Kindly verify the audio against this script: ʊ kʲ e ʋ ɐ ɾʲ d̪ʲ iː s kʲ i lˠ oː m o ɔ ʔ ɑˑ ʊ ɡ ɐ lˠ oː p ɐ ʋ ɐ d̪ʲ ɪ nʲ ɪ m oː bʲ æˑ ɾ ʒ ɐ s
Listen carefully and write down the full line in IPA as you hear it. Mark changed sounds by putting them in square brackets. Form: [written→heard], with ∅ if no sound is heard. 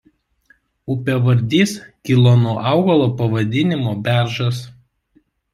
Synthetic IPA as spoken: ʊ [kʲ→pʲ] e ʋ ɐ ɾʲ d̪ʲ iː s kʲ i lˠ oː [m→n] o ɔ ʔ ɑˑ ʊ ɡ ɐ lˠ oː p ɐ ʋ ɐ d̪ʲ ɪ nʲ ɪ m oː bʲ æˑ ɾ ʒ ɐ s